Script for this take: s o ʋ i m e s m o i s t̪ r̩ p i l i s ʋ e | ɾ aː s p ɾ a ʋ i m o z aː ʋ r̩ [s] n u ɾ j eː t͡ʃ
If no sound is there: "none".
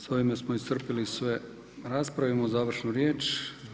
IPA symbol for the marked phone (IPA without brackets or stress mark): ʃ